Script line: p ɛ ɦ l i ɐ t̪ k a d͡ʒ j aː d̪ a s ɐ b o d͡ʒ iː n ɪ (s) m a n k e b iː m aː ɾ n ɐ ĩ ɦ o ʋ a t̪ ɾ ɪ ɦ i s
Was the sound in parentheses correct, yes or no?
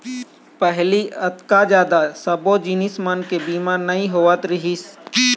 yes